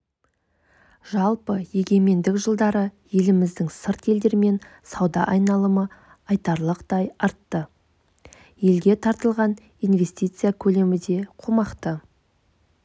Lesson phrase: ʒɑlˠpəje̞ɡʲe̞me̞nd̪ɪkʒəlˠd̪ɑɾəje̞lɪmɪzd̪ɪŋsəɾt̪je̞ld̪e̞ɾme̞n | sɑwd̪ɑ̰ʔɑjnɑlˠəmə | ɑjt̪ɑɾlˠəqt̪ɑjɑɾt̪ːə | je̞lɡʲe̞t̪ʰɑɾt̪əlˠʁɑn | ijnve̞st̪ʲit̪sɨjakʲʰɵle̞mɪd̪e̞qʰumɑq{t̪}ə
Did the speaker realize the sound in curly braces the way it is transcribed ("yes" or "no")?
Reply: yes